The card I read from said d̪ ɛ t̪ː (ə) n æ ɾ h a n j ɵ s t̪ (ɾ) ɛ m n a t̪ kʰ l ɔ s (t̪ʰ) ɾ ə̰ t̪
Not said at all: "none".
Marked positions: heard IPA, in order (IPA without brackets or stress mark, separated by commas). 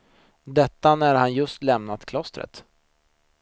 a, l, t̪